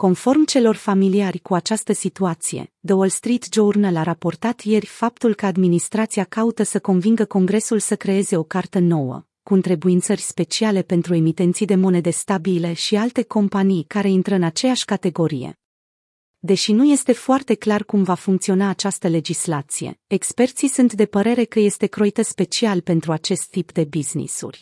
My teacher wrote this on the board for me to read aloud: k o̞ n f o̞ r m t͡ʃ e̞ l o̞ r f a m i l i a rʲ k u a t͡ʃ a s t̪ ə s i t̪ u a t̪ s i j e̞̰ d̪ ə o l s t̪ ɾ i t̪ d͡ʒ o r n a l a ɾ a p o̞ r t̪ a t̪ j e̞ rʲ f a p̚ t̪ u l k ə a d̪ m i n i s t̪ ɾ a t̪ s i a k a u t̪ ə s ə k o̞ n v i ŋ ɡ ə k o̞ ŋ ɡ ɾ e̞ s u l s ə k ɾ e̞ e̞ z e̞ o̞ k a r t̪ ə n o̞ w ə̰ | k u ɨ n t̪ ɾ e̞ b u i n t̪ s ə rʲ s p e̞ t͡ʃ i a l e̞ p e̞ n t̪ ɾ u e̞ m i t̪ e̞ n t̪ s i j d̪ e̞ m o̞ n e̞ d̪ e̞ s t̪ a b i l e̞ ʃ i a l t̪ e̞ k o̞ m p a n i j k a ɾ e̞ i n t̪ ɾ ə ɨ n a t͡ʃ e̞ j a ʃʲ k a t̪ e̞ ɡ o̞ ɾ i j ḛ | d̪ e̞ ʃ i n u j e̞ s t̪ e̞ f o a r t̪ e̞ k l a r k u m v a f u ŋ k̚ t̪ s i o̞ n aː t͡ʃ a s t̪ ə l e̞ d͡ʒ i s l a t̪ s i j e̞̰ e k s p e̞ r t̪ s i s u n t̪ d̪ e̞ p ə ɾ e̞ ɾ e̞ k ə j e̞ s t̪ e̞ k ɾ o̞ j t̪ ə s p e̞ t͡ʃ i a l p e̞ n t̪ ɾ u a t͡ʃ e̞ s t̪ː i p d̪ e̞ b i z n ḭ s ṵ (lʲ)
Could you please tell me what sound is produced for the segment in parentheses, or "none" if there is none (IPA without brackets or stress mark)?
rʲ